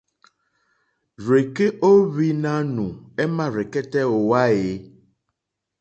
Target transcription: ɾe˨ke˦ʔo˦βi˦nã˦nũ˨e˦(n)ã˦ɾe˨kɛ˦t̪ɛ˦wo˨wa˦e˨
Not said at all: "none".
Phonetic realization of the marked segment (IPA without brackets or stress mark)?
m